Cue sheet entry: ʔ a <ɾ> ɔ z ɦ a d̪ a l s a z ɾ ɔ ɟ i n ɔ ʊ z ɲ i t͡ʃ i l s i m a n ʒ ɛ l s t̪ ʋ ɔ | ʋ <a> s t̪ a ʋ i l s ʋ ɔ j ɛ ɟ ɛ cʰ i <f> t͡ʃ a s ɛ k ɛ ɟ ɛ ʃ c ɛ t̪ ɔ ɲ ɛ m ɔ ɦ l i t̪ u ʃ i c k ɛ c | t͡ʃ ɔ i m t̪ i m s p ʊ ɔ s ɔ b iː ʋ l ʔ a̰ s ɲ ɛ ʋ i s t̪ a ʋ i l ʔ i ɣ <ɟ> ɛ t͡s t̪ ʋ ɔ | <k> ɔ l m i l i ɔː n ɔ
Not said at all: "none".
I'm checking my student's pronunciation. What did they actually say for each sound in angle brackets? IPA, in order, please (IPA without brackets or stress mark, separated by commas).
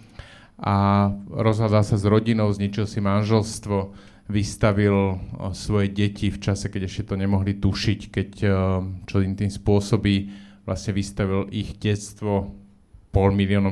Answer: ɾ, i, f, ɟ, p